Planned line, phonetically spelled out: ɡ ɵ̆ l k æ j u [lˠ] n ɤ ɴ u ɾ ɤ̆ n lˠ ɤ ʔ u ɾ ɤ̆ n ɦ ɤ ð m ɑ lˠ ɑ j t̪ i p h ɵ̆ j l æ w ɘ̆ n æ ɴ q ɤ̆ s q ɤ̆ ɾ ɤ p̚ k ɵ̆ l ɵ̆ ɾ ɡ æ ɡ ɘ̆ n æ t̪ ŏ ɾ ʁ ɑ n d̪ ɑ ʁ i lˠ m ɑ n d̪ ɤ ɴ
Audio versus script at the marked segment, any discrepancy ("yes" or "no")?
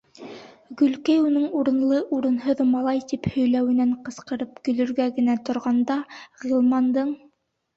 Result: yes